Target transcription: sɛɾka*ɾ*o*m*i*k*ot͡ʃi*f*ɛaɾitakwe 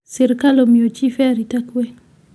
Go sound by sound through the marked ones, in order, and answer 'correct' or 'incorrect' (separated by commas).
incorrect, correct, incorrect, correct